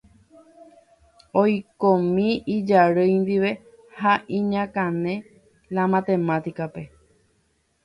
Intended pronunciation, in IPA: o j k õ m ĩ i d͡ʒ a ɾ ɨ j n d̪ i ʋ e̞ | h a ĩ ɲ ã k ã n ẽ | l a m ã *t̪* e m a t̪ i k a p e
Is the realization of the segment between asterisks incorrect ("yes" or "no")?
no